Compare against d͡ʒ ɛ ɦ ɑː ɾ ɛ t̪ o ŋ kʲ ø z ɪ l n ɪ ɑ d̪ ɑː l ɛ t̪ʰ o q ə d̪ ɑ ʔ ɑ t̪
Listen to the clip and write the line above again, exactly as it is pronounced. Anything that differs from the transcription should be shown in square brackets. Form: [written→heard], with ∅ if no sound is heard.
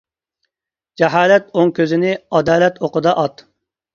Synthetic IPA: d͡ʒ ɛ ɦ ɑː [ɾ→l] ɛ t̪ o ŋ kʲ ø z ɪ [l→∅] n ɪ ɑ d̪ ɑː l ɛ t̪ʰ o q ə d̪ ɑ ʔ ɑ t̪